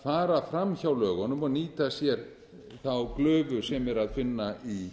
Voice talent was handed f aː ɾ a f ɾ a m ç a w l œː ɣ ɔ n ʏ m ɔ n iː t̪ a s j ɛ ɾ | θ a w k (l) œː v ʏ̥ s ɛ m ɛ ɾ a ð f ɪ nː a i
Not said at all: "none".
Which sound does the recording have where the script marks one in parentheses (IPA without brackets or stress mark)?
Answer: l